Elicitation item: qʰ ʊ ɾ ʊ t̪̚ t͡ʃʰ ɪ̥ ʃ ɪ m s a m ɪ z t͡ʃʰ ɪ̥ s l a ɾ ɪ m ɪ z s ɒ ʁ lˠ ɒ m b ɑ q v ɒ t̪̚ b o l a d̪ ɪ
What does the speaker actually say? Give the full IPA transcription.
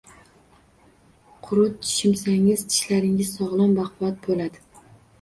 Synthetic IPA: qʰ ʊ ɾ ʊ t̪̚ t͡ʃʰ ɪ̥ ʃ ɪ m s a ŋ ɪ z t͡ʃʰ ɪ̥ ʃ l a ɾ ɪ ŋ ɪ z s ɒ ʁ lˠ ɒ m b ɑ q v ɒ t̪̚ b o l a d̪ ɪ